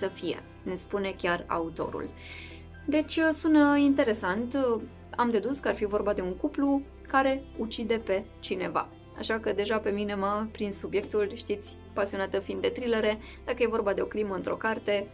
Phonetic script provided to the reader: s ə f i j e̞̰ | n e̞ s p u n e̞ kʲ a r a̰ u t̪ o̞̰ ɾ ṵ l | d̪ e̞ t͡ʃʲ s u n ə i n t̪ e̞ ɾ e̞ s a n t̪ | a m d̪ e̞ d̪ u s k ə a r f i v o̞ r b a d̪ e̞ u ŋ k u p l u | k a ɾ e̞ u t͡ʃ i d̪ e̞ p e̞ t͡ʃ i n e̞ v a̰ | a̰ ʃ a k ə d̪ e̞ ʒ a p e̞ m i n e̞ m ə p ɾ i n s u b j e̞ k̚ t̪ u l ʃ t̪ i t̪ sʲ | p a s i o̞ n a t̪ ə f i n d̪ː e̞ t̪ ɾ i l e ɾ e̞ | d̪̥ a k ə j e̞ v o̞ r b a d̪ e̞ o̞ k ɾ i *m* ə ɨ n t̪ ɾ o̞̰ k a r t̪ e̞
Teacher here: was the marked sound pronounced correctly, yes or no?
yes